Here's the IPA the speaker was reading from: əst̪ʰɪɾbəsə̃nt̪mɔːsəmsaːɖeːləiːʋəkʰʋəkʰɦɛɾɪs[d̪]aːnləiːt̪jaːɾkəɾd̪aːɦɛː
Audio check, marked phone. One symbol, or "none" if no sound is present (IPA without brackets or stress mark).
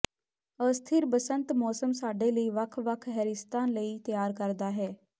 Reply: t̪